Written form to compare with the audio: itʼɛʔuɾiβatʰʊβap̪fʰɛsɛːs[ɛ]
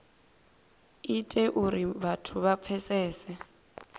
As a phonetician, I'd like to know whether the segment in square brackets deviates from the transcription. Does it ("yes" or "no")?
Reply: no